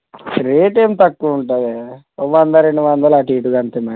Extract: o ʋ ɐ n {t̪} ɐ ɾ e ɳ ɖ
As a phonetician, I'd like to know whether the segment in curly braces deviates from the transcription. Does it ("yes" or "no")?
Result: yes